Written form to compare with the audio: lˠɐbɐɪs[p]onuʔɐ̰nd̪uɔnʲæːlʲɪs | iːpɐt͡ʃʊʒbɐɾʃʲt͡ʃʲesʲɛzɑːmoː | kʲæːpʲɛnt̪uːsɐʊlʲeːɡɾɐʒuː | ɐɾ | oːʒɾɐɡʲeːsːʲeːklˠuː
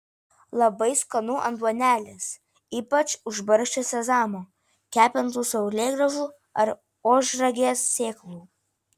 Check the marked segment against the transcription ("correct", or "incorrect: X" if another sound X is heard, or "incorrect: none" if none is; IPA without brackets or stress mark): incorrect: k